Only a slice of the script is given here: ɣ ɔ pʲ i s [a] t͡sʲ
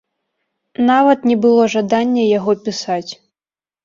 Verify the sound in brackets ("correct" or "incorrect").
correct